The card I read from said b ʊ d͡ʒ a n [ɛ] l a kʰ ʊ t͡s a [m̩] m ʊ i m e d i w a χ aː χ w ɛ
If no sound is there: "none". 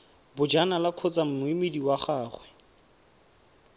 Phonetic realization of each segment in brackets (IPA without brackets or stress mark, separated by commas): a, m̩